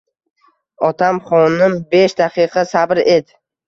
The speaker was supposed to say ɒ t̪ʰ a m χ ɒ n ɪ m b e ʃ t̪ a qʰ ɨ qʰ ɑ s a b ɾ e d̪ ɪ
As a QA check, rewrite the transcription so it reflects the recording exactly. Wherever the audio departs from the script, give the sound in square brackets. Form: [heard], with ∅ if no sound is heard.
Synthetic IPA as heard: ɒ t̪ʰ a m χ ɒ n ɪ m b e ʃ [d̪] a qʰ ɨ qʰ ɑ s a b ɾ e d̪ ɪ